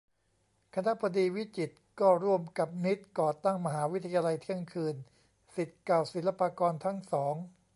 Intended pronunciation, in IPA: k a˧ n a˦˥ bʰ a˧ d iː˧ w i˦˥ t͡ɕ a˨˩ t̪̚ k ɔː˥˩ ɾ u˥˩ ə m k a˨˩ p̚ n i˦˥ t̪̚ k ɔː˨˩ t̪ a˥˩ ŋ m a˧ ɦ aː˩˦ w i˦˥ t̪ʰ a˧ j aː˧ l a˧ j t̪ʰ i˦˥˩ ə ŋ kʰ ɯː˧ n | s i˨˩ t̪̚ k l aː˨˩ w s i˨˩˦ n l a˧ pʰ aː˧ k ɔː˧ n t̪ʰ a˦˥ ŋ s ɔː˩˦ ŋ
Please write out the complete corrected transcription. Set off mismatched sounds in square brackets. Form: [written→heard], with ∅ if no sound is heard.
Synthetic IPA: [k→kʰ] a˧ n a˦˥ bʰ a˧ d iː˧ w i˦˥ t͡ɕ [a˨˩→i˨˩] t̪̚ k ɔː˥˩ ɾ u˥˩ ə m k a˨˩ p̚ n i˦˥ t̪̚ k ɔː˨˩ t̪ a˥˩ ŋ m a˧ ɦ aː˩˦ w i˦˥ t̪ʰ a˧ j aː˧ l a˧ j t̪ʰ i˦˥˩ ə ŋ kʰ ɯː˧ n | s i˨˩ t̪̚ k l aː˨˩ w s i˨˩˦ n l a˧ [pʰ→p] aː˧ k ɔː˧ n t̪ʰ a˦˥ ŋ s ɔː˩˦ ŋ